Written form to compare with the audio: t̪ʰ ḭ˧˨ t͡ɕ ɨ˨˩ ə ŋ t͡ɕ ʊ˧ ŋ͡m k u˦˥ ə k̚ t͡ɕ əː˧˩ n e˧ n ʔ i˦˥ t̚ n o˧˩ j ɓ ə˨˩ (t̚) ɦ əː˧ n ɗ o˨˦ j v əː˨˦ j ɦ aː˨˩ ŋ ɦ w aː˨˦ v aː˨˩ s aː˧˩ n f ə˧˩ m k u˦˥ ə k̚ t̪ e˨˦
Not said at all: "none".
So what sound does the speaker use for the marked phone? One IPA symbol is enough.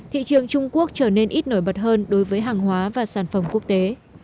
t̚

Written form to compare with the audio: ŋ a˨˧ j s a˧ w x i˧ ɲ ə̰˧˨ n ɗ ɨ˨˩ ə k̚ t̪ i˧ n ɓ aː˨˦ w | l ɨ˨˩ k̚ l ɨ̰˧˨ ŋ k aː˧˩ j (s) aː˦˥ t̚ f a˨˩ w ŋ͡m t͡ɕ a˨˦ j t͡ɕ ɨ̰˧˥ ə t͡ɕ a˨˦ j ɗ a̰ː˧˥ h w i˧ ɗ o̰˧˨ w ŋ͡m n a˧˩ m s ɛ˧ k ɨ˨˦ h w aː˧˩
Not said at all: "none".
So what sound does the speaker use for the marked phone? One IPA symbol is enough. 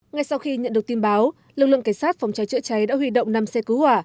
s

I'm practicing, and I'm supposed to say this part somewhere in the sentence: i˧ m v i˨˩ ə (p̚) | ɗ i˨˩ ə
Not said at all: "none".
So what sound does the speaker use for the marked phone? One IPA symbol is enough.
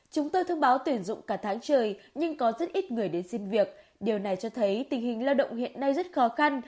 k̚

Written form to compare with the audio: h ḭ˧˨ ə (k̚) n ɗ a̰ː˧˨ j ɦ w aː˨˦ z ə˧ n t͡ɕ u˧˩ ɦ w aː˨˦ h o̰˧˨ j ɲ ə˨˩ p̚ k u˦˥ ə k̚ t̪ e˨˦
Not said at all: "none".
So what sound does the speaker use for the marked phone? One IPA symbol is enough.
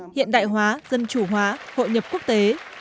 none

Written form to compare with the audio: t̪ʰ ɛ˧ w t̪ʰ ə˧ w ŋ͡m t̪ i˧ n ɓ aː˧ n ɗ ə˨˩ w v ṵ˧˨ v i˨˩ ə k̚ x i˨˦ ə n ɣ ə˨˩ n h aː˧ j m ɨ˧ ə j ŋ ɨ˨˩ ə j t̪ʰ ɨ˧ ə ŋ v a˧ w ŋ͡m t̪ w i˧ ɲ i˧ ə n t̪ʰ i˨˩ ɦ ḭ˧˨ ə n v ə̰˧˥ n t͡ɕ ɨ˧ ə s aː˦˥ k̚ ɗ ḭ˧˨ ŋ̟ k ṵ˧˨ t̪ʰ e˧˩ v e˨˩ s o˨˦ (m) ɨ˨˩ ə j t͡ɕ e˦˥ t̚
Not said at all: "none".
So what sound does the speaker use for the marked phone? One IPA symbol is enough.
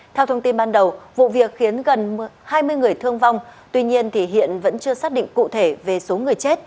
ŋ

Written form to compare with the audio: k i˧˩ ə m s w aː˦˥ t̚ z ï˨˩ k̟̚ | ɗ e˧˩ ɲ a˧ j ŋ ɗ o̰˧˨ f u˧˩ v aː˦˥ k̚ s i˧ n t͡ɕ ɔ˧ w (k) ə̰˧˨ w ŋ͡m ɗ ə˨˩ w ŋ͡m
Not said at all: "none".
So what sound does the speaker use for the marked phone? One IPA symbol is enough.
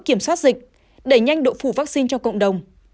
k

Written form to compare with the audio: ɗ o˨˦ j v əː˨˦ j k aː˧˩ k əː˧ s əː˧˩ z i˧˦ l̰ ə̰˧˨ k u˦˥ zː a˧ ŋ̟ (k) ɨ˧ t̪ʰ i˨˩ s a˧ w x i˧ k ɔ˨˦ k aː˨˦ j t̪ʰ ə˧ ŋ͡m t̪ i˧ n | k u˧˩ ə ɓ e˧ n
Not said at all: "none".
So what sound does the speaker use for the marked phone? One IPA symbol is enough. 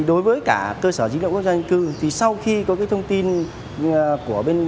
k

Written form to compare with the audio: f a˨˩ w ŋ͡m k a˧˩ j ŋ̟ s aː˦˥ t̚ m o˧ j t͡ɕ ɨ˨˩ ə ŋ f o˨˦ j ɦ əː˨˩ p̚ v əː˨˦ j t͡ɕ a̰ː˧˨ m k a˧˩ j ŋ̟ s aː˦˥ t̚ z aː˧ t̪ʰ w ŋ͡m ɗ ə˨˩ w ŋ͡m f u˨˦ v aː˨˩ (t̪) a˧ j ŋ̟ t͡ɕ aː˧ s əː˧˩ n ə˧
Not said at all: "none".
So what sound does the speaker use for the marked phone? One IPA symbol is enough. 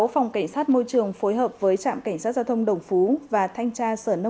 t̪ʰ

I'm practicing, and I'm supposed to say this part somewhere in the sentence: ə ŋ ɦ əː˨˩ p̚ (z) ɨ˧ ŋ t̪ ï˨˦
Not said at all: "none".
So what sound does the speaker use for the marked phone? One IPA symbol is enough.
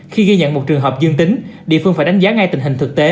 z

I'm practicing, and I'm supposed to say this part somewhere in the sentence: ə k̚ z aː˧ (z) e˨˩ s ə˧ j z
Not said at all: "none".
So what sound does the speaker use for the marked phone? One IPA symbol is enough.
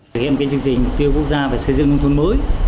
v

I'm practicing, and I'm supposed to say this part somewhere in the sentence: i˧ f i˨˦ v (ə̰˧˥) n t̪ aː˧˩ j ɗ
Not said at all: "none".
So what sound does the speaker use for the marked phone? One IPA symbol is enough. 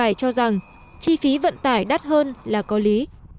ə̰˧˨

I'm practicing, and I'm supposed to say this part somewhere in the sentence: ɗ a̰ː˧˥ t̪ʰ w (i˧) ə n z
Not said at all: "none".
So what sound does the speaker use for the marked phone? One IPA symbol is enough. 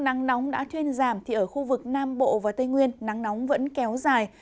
i˧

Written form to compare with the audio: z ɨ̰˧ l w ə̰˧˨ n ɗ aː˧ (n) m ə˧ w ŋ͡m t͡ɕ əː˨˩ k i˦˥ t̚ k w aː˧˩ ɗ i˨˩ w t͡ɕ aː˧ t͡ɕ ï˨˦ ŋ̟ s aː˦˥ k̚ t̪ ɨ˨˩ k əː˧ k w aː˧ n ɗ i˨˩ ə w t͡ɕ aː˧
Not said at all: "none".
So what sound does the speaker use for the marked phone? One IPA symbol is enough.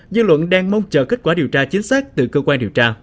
ŋ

